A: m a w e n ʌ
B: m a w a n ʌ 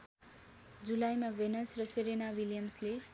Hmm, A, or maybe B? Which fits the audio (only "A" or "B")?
A